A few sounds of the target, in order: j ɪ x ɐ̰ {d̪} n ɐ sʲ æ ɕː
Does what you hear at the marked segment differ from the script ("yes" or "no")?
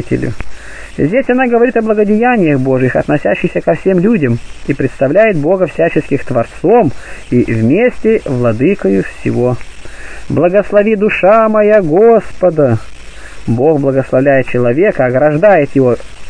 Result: yes